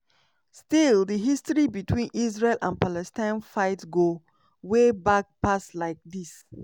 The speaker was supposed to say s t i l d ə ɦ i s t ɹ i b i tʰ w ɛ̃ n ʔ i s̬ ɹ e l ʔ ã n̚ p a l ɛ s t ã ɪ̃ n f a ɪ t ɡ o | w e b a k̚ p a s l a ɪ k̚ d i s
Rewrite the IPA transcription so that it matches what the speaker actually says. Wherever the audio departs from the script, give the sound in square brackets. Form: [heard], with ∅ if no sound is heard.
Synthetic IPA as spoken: s t i l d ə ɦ i s t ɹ i b i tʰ w [ĩ] n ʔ i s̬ ɹ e l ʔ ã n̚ p a l ɛ s t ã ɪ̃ n f a ɪ t ɡ o | w e b a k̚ p a s l a ɪ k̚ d i s